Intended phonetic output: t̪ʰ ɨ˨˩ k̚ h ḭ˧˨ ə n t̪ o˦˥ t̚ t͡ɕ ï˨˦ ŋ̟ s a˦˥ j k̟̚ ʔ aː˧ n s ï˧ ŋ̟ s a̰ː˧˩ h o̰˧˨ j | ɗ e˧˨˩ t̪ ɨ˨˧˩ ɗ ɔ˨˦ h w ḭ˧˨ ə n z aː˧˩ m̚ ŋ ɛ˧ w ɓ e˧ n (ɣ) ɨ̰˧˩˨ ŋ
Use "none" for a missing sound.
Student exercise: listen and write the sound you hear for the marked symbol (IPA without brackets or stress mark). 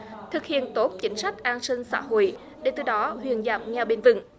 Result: v